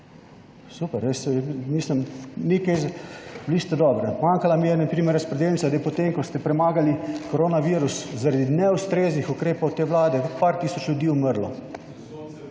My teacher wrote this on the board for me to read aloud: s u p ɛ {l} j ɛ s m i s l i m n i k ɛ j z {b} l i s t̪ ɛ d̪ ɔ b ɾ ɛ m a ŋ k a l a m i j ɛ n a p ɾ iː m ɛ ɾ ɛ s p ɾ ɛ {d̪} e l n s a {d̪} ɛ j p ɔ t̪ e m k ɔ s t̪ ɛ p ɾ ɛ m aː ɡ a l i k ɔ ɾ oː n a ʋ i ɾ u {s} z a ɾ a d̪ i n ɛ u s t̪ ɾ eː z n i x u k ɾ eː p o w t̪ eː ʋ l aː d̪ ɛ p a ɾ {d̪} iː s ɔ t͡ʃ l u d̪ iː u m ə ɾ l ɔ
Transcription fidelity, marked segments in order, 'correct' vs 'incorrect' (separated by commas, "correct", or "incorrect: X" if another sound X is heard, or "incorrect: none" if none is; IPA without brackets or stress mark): incorrect: ɾ, correct, correct, correct, correct, incorrect: t̪